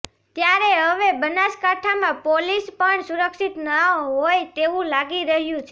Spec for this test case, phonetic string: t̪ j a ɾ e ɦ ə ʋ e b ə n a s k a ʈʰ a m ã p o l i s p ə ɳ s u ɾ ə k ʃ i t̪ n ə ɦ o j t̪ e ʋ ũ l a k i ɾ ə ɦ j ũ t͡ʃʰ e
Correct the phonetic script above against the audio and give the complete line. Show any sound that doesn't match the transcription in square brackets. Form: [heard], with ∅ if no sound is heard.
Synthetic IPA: t̪ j a ɾ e ɦ ə ʋ e b ə n a s k a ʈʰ a m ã p o l i s p ə ɳ s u ɾ ə k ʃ i t̪ n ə ɦ o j t̪ e ʋ ũ l a [ɡ] i ɾ ə ɦ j ũ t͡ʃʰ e